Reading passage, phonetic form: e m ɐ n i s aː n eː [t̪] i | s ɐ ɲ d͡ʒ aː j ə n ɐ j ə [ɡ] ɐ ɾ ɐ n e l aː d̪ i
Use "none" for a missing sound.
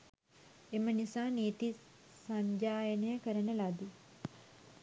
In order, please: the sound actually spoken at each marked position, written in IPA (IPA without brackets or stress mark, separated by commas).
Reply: t̪, k